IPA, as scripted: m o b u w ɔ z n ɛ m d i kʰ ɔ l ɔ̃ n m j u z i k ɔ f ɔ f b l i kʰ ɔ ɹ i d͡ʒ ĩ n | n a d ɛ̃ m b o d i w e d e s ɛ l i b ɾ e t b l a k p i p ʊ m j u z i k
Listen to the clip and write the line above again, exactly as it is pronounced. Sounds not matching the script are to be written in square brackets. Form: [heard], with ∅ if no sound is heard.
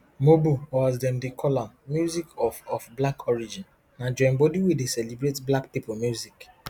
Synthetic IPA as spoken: m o b u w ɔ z [d] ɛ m d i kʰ ɔ l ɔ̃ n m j u z i k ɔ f ɔ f b l [a] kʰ ɔ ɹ i d͡ʒ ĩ n | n a [d͡ʒ] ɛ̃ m b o d i w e d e s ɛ l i b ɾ e t b l a k p i p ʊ m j u z i k